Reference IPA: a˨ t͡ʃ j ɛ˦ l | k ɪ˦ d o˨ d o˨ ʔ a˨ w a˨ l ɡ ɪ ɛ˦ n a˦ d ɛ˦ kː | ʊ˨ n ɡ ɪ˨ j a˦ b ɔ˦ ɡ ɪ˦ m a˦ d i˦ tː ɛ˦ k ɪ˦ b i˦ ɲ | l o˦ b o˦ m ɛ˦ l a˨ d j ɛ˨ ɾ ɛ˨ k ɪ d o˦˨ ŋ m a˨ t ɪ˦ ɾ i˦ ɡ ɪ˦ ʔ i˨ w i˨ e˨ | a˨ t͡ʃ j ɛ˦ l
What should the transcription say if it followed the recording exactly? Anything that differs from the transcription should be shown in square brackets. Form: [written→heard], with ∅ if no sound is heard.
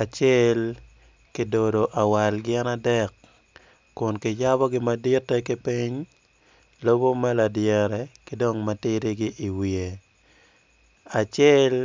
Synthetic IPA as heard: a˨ t͡ʃ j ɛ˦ l | k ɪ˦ d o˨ d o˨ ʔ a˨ w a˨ l ɡ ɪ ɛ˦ n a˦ d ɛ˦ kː | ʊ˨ n [ɡ→k] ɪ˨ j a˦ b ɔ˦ ɡ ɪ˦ m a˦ d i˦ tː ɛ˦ k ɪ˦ [b→p] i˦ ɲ | l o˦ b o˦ m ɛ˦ l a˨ d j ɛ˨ ɾ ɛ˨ k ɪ d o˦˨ ŋ m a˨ t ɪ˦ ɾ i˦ ɡ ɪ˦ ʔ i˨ w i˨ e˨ | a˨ t͡ʃ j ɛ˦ l